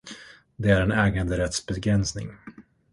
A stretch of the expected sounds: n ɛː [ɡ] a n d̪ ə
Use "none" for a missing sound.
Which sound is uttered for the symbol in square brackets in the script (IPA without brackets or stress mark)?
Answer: ɡ